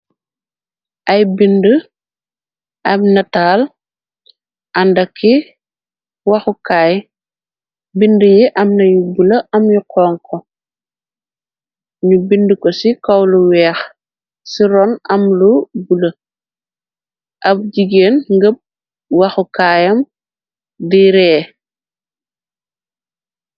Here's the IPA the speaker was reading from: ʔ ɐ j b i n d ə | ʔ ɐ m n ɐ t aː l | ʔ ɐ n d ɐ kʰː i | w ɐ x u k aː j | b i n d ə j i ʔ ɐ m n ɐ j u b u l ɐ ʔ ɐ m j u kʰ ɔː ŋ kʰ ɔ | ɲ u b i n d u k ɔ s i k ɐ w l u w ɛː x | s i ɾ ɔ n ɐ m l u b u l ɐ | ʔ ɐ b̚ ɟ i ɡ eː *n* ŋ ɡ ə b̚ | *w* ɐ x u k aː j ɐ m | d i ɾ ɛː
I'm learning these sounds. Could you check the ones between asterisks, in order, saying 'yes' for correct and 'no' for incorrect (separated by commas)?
yes, yes